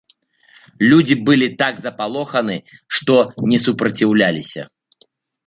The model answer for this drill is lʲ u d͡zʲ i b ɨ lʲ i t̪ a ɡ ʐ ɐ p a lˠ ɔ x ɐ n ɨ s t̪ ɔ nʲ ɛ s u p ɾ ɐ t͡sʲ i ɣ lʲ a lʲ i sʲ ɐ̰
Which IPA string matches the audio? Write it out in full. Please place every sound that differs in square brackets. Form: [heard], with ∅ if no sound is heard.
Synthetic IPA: lʲ u d͡zʲ i b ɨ lʲ i t̪ a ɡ [z] ɐ p a lˠ ɔ x ɐ n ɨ [ʂ] t̪ ɔ nʲ ɛ s u p ɾ ɐ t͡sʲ i [w] lʲ a lʲ i sʲ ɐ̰